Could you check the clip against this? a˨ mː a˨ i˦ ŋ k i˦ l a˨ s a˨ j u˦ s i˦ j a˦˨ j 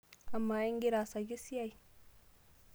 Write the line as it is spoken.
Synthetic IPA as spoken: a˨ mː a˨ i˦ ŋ ɡ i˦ ɾ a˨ s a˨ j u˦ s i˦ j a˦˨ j